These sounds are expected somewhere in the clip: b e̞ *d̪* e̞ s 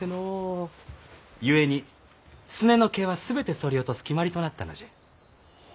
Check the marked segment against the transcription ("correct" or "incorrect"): incorrect